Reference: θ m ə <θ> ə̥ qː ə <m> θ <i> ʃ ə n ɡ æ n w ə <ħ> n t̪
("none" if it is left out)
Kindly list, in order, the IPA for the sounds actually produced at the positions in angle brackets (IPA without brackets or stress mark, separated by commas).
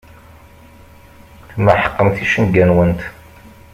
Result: ħ, m, i, none